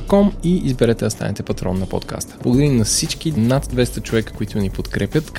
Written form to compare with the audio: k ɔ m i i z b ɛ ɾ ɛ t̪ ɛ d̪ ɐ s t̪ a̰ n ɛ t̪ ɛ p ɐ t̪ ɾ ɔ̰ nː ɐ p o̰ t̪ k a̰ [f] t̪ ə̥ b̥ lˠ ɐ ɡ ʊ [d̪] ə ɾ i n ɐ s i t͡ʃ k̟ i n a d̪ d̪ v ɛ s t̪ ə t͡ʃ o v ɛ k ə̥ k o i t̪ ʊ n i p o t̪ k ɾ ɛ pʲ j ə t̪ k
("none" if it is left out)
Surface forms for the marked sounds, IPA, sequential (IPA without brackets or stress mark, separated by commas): s, d̪